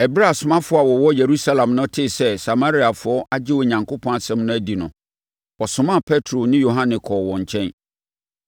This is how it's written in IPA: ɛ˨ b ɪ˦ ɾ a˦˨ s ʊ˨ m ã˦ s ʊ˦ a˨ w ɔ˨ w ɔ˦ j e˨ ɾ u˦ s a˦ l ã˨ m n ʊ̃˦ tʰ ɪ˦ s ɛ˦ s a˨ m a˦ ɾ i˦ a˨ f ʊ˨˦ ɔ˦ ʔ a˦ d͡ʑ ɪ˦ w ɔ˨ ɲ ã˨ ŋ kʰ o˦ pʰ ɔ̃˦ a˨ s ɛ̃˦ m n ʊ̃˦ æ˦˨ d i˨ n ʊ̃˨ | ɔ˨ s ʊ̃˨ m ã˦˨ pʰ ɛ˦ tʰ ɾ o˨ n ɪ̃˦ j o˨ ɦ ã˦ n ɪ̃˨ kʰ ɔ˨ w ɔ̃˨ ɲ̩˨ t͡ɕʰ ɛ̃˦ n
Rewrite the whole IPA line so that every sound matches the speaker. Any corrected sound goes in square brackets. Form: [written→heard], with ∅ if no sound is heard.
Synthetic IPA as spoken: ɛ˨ b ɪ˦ ɾ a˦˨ s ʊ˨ m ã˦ [s→f] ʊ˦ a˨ w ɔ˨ w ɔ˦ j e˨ ɾ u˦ s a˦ l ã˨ m n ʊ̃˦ tʰ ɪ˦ s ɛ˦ s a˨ m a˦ ɾ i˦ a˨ f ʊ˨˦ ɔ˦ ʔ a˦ d͡ʑ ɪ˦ w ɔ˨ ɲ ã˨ ŋ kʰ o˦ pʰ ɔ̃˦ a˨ s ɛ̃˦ m n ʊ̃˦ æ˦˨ d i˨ n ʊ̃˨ | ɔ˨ s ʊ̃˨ m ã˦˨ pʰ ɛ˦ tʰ ɾ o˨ n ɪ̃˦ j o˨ ɦ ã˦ n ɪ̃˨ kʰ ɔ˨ w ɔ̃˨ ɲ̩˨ t͡ɕʰ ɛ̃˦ n